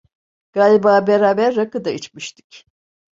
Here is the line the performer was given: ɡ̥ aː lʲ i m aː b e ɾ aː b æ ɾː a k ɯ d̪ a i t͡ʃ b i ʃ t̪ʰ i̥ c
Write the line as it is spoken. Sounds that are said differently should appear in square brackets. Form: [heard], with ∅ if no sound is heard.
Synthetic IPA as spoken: ɡ̥ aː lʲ i [b] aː b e ɾ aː b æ ɾː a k ɯ d̪ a i t͡ʃ [m] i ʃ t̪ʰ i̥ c